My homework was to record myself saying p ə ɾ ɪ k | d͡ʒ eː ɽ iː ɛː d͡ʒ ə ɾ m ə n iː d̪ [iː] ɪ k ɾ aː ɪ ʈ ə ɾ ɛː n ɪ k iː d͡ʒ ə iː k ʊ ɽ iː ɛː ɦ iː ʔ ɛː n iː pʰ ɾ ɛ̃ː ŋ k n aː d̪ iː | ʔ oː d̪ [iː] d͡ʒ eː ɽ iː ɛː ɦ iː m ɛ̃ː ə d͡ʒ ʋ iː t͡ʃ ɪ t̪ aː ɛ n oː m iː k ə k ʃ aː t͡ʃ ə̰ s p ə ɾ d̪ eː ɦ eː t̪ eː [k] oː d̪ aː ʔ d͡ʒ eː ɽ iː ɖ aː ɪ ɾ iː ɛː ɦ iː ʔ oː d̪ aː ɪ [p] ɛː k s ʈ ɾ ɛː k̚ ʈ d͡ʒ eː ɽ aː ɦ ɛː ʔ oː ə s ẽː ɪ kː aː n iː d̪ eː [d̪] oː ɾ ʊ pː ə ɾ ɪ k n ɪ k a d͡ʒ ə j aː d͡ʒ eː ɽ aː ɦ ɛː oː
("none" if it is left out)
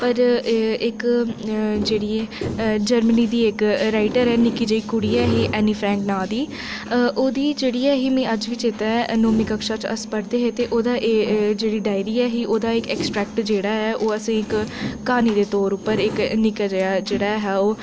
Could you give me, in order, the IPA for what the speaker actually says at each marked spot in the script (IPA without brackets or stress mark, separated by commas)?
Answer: iː, iː, ʔ, k, t̪